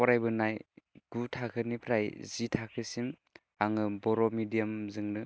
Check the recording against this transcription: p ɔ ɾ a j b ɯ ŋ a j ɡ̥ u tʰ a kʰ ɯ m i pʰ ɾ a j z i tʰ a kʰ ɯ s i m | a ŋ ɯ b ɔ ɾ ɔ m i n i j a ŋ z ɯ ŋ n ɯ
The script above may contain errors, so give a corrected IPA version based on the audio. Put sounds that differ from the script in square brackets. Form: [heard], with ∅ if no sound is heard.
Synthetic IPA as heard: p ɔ ɾ a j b ɯ [n] a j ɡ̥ u tʰ a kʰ ɯ [n] i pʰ ɾ a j z i tʰ a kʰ ɯ s i m | a ŋ ɯ b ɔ ɾ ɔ m i [d] i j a [m] z ɯ ŋ n ɯ